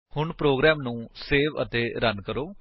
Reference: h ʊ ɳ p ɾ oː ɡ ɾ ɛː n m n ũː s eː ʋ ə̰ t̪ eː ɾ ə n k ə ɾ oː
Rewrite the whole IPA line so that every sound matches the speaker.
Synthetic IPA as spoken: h ʊ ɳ p ɾ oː ɡ ɾ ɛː m n ũː s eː ʋ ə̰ t̪ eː ɾ ə n k ə ɾ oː

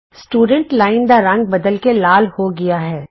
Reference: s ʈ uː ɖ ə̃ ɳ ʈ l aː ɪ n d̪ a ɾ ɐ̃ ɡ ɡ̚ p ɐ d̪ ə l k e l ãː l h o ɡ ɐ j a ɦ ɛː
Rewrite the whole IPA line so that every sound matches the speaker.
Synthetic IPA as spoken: s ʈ uː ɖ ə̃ ɳ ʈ l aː ɪ n d̪ a ɾ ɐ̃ ŋ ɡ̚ b ɐ d̪ ə l k e l aː l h o ɡ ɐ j a ɦ ɛː

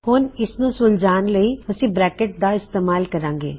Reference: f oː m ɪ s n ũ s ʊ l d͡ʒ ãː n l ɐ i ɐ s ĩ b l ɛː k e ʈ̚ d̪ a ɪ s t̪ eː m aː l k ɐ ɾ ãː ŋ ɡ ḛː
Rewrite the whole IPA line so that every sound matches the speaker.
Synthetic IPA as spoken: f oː n ɪ s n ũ s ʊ l d͡ʒ aː n l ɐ i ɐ s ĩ b ɾ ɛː k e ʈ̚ d̪ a ɪ s t̪ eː m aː l k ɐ ɾ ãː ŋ ɡ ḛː

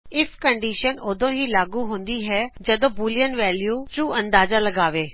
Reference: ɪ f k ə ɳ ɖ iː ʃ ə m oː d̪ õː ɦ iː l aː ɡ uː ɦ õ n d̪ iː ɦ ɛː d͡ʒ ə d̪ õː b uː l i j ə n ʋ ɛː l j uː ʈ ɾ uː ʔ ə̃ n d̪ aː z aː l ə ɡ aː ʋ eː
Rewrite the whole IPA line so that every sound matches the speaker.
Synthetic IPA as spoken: ɪ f k ə ɳ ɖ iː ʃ ə n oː d̪ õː ɦ iː l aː ɡ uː ɦ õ n d̪ iː ɦ ɛː d͡ʒ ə d̪ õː b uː l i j ə n ʋ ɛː l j uː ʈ ɾ uː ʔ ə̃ n d̪ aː z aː l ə ɡ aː ʋ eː

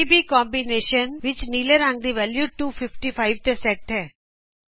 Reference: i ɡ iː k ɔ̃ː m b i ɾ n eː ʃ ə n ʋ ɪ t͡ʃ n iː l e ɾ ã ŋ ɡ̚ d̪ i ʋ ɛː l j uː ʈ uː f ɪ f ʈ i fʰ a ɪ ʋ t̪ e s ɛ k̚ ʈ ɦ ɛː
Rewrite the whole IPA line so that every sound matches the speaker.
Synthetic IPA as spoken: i b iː k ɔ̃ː m b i n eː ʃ ə n ʋ ɪ t͡ʃ n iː l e ɾ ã ŋ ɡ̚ d̪ i ʋ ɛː l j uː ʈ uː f ɪ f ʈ i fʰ a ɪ ʋ t̪ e s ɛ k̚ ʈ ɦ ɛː

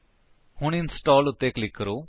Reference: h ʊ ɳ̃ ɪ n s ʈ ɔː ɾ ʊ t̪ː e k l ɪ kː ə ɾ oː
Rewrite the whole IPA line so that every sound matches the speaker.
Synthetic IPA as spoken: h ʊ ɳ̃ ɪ n s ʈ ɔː l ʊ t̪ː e k l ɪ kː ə ɾ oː

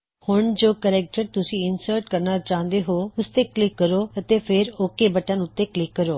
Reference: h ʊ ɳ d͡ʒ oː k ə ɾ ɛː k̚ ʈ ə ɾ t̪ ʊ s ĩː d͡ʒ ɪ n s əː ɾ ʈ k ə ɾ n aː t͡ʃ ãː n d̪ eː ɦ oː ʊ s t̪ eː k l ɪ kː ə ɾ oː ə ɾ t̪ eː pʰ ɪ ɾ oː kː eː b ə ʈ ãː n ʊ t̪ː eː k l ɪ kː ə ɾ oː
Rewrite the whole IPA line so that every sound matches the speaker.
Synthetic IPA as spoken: h ʊ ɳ d͡ʒ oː k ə ɾ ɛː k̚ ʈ ə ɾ t̪ ʊ s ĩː ɪ n s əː ɾ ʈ k ə ɾ n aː t͡ʃ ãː n d̪ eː ɦ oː ʊ s t̪ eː k l ɪ kː ə ɾ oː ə t̪ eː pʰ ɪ ɾ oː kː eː b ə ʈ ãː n ʊ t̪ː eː k l ɪ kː ə ɾ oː

